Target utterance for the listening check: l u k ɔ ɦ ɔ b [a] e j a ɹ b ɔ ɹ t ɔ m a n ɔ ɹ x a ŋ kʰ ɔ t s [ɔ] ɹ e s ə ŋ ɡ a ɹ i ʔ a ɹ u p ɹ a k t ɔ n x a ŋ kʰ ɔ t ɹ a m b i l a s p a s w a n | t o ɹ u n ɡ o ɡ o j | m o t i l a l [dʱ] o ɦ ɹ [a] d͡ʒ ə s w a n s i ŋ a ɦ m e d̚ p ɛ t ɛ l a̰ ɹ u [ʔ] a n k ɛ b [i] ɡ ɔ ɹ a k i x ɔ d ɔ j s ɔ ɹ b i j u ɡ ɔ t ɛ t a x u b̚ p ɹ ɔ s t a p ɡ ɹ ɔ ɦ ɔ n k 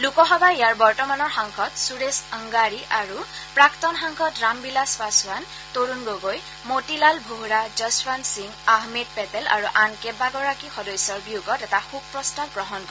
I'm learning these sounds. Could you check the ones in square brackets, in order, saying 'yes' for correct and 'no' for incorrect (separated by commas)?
yes, no, no, yes, yes, no